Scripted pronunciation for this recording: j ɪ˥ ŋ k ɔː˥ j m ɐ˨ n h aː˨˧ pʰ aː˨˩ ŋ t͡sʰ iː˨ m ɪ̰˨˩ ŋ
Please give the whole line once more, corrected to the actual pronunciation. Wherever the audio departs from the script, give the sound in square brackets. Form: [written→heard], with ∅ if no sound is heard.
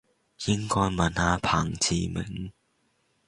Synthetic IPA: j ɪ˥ ŋ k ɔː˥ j m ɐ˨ n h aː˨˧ pʰ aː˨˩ ŋ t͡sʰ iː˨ m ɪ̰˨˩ ŋ

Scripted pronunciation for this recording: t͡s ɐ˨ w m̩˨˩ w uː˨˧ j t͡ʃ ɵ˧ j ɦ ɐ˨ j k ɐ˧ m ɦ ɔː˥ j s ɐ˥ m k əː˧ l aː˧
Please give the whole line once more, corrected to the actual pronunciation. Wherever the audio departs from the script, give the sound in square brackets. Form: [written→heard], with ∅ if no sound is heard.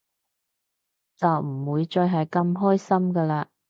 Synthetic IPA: t͡s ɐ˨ w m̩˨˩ w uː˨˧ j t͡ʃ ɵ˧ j ɦ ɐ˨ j k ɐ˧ m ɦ ɔː˥ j s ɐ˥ m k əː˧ l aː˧

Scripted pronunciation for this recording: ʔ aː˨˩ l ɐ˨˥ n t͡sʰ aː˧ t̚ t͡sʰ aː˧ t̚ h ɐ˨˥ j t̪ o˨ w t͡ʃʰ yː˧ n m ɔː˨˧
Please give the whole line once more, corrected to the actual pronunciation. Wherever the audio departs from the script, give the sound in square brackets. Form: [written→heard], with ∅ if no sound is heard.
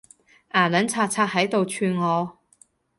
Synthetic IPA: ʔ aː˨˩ l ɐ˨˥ n t͡sʰ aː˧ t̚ t͡sʰ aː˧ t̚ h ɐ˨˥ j t̪ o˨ w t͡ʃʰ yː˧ n [m→ŋ] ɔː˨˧

